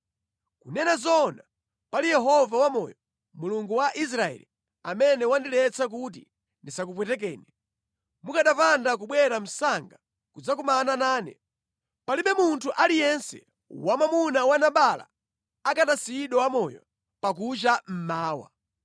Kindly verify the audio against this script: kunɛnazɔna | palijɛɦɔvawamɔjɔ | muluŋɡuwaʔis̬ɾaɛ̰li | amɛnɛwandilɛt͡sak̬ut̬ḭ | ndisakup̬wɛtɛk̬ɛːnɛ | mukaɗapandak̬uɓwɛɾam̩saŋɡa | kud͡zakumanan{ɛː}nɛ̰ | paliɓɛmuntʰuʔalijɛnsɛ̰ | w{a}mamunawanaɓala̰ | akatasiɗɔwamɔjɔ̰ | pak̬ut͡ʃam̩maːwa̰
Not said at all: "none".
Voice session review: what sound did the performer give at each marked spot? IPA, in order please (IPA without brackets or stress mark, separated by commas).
aː, a